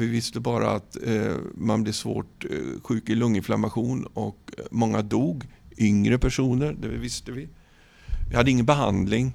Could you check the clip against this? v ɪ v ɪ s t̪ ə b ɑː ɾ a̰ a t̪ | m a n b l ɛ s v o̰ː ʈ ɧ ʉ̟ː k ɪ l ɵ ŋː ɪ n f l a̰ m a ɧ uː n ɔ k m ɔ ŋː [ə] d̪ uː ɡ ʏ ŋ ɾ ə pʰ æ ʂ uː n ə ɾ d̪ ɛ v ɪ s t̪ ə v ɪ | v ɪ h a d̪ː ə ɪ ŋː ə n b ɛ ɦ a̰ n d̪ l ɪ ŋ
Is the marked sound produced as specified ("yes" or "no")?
no